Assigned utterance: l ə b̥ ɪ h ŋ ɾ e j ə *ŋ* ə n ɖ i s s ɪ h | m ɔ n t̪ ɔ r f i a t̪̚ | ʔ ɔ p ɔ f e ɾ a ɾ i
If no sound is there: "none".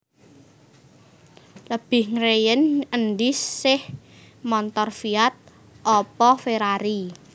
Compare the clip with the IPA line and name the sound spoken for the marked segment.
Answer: n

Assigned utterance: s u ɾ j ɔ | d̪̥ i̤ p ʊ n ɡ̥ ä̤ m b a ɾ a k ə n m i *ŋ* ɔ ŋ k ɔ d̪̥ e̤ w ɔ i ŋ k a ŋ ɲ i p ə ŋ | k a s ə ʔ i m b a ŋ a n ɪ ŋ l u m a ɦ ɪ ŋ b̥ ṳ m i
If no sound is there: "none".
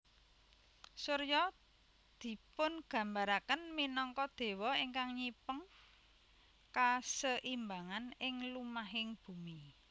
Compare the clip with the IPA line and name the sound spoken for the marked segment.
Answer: n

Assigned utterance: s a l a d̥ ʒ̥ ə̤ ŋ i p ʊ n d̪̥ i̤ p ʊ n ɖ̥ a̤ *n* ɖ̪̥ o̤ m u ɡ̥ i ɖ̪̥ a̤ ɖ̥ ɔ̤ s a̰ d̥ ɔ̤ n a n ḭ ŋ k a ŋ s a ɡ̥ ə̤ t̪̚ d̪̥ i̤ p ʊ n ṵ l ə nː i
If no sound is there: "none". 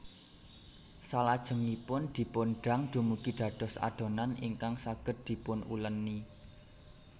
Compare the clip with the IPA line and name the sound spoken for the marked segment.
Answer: ŋ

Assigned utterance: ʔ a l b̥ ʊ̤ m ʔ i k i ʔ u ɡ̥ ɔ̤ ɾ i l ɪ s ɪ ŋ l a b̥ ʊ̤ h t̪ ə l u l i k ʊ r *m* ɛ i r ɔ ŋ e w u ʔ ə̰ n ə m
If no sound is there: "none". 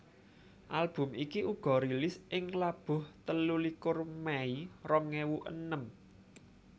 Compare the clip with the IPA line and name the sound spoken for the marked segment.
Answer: m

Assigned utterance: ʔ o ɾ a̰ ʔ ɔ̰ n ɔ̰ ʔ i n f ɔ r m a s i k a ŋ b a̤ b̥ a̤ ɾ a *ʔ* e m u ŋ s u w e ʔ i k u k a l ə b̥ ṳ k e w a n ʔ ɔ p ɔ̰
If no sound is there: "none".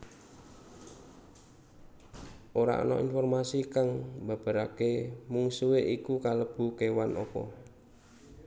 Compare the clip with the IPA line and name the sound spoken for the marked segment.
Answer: k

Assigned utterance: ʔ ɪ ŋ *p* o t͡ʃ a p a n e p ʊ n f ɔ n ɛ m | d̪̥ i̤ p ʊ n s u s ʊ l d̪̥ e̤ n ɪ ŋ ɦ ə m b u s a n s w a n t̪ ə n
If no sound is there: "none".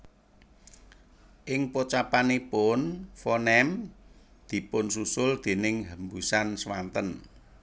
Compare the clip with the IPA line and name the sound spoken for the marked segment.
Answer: p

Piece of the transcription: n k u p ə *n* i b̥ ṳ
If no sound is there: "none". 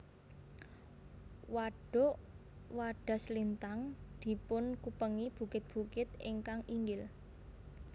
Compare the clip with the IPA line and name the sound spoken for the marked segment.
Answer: ŋ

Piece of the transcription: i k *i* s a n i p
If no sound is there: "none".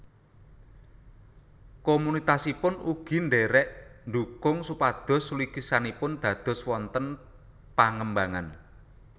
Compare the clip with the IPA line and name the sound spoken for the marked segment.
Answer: i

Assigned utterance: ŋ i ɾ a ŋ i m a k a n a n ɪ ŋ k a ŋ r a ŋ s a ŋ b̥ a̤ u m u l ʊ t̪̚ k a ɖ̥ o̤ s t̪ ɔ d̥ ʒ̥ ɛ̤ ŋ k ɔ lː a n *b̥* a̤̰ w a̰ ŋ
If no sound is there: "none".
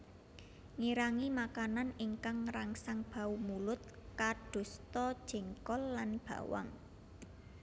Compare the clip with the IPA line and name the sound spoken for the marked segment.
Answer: b̥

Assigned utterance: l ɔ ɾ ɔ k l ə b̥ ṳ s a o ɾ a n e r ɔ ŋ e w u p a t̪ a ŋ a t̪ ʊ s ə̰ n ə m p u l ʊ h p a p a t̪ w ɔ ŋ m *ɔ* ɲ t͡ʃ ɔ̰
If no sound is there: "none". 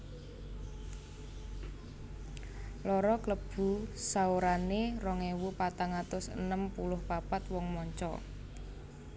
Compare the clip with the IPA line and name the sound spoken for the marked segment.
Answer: ɔ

